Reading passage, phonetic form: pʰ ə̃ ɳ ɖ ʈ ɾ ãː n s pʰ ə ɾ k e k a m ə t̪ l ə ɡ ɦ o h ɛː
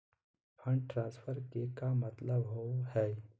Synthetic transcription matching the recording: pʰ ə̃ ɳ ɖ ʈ ɾ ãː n s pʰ ə ɾ k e k a m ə t̪ l ə b ɦ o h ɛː

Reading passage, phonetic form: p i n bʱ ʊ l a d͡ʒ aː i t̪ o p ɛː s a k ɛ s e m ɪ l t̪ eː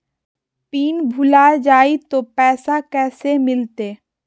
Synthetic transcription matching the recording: p iː n bʱ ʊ l a d͡ʒ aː i t̪ o p ɛː s a k ɛː s e m ɪ l t̪ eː

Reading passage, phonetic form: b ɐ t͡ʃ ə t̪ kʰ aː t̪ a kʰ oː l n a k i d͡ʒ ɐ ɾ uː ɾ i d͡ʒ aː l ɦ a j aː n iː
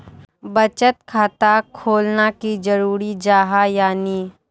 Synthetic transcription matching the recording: b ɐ t͡ʃ ə t̪ kʰ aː t̪ a kʰ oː l n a k i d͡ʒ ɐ ɾ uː ɾ i d͡ʒ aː ɦ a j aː n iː

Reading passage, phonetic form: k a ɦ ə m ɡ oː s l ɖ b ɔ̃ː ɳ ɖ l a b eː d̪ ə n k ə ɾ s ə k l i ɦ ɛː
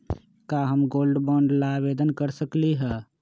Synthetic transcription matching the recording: k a ɦ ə m ɡ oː l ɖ b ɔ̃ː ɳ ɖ l a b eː d̪ ə n k ə ɾ s ə k l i ɦ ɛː

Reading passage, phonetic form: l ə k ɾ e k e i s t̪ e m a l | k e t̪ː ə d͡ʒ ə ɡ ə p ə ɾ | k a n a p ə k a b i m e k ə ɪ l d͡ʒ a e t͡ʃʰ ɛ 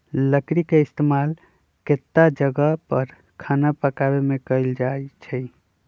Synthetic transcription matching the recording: l ə k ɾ i k e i s t̪ e m a l | k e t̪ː a d͡ʒ ə ɡ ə p ə ɾ | kʰ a n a p ə k a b e m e k ə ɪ l d͡ʒ a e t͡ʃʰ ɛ

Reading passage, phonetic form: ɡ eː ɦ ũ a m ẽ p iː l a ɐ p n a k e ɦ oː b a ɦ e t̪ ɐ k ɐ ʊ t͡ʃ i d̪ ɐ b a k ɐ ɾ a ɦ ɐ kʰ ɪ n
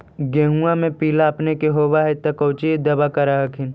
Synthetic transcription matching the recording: ɡ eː ɦ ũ a m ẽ p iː l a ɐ p n e k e ɦ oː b a ɦ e t̪ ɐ k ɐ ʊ t͡ʃ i d̪ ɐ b a k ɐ ɾ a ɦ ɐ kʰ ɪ n

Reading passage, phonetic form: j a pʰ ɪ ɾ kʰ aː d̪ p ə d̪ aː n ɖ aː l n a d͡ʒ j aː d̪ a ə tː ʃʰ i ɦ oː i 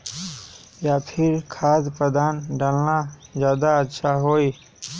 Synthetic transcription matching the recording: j a pʰ ɪ ɾ kʰ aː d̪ p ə d̪ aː n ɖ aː l n a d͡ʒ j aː d̪ a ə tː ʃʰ a ɦ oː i

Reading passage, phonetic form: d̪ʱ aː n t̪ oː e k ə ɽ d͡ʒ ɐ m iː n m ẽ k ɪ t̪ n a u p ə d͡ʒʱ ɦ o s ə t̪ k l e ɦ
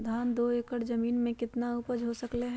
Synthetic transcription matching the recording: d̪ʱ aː n d̪ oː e k ə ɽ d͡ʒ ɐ m iː n m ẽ k ɪ t̪ n a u p ə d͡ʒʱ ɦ o s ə k l e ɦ

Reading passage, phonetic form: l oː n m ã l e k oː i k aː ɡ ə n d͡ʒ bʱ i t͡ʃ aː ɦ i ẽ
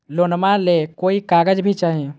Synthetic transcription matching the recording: l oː n m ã l e k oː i k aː ɡ ə d͡ʒ bʱ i t͡ʃ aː ɦ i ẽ

